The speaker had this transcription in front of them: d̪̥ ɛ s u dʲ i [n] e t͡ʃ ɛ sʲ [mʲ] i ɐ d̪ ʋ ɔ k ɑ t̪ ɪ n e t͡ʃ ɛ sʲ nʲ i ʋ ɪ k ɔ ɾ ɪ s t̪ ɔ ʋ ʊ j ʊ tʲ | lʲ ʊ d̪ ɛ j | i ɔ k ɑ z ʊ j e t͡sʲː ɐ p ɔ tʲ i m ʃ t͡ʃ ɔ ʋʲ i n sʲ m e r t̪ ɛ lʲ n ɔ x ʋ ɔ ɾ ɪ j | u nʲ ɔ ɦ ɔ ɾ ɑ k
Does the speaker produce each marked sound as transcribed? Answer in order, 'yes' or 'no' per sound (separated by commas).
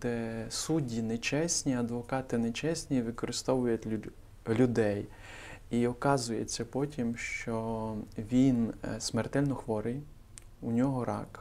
yes, no